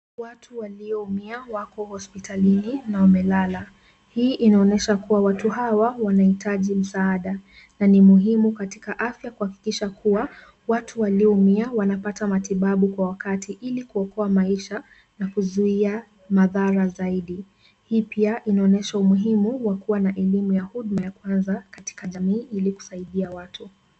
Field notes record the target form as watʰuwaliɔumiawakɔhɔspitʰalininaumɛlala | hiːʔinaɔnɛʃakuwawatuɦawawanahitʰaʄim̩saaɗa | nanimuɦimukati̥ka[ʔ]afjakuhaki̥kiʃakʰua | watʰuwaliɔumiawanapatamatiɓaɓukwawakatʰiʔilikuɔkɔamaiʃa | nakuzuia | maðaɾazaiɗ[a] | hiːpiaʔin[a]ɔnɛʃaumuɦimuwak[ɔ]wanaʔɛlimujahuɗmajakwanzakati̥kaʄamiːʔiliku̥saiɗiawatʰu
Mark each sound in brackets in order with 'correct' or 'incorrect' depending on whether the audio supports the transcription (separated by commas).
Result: correct, incorrect, correct, incorrect